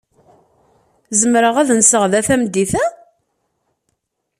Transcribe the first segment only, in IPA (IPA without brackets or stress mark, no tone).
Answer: z